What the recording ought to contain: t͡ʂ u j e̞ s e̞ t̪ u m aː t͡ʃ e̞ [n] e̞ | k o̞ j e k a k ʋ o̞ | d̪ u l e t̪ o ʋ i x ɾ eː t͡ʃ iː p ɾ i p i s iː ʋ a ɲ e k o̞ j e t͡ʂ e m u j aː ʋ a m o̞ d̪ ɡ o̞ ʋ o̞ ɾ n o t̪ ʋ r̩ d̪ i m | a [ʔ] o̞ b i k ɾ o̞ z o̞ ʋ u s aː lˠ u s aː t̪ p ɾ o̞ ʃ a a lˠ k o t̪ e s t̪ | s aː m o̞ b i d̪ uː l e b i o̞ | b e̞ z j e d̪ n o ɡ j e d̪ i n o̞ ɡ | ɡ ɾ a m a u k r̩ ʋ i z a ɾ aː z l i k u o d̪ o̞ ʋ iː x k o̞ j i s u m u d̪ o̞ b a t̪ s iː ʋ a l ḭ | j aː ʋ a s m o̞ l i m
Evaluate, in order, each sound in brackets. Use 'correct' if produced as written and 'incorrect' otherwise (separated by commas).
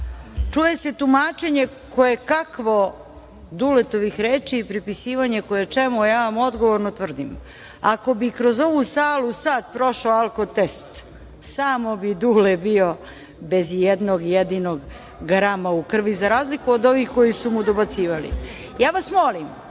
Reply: incorrect, incorrect